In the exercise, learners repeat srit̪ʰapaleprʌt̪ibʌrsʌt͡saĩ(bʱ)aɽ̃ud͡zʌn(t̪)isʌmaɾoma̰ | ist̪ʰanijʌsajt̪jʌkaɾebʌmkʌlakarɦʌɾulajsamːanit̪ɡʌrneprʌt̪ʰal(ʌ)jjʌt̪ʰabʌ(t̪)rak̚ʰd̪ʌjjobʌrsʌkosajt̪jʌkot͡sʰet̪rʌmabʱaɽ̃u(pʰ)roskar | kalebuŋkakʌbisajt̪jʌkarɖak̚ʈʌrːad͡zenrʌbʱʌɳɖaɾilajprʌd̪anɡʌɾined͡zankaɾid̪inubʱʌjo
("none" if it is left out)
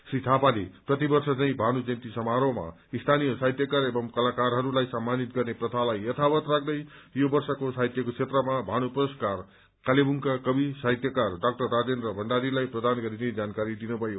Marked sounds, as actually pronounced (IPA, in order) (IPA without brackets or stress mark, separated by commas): bʱ, t̪, a, t̪, p